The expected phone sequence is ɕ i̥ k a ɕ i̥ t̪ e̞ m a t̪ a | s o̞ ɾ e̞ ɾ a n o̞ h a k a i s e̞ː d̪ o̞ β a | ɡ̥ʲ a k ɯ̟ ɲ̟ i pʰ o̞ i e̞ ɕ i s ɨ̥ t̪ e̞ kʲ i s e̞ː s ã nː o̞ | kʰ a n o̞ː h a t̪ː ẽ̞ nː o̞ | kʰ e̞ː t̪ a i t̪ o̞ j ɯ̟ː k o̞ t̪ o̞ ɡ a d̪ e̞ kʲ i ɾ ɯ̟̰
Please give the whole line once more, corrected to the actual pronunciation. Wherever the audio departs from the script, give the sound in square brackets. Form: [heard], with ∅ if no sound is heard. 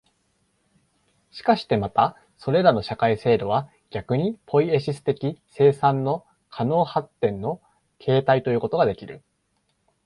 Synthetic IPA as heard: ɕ i̥ k a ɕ i̥ t̪ e̞ m a t̪ a | s o̞ ɾ e̞ ɾ a n o̞ [ɕ] a k a i s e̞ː d̪ o̞ β a | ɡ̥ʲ a k ɯ̟ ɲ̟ i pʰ o̞ i e̞ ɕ i s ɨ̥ t̪ e̞ kʲ i s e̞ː s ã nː o̞ | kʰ a n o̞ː h a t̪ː ẽ̞ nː o̞ | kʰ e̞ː t̪ a i t̪ o̞ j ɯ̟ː k o̞ t̪ o̞ ɡ a d̪ e̞ kʲ i ɾ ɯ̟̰